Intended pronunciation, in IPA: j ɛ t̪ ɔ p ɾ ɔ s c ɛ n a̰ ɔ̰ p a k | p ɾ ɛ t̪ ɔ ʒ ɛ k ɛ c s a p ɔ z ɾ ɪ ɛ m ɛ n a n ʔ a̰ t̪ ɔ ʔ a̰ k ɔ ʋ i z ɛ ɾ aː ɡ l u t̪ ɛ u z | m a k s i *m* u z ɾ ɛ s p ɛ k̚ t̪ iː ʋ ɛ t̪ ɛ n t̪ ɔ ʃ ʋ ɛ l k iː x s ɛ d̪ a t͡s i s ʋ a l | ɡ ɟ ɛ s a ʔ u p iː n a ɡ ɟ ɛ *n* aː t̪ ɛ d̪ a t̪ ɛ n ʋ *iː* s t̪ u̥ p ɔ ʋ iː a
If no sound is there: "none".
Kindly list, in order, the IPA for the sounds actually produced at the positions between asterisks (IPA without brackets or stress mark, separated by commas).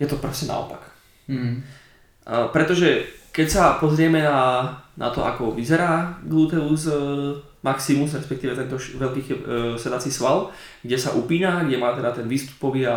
m, m, iː